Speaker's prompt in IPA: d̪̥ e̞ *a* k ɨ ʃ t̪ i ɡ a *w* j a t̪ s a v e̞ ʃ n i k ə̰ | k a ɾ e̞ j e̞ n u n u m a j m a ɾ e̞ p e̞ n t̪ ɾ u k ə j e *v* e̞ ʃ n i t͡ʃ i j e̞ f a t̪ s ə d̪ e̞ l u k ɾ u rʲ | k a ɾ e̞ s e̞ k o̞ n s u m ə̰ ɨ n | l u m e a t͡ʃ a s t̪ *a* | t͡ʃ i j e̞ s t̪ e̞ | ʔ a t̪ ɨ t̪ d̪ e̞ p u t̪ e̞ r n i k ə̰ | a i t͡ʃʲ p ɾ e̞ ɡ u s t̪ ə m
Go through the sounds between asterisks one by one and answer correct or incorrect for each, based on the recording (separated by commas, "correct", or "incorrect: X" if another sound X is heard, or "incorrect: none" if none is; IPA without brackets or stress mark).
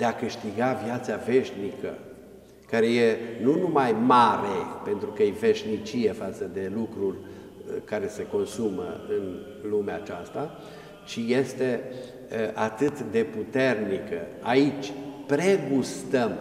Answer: correct, incorrect: v, correct, correct